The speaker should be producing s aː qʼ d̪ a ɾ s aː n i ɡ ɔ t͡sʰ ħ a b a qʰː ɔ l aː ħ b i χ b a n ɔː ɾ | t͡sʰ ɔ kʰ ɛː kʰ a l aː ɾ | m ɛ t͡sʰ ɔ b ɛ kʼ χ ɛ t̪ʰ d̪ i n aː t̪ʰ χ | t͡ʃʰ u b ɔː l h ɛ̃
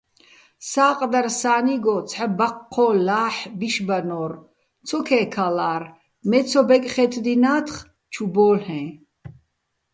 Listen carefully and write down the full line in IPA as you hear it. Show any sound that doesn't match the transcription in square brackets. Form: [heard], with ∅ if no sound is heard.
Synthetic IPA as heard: s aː qʼ d̪ a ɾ s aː n i ɡ ɔ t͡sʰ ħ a b a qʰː ɔ l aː ħ b i [ʃ] b a n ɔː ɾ | t͡sʰ ɔ kʰ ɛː kʰ a l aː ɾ | m ɛ t͡sʰ ɔ b ɛ kʼ χ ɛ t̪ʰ d̪ i n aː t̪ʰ χ | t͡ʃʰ u b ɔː l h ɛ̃